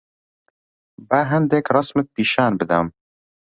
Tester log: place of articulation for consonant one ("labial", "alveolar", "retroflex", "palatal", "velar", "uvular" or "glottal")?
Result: labial